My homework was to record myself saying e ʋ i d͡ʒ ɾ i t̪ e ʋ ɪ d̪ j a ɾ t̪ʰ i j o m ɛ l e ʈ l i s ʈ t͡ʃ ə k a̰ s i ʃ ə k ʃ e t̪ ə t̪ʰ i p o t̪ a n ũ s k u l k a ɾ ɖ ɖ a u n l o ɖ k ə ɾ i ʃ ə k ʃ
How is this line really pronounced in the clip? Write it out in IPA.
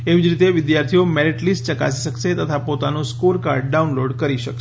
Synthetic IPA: e ʋ i d͡ʒ ɾ i t̪ e ʋ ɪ d̪ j a ɾ t̪ʰ i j o m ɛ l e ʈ l i s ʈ t͡ʃ ə k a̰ s i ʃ ə k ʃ e t̪ ə t̪ʰ a p o t̪ a n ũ s k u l k a ɾ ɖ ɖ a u n l o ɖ k ə ɾ i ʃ ə k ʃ